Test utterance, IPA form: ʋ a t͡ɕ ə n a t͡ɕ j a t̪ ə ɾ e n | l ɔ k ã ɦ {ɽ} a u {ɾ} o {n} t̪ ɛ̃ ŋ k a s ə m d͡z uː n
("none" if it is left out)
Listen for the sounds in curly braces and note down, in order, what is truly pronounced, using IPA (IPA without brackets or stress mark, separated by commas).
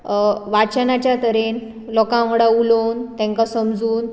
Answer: ɽ, l, n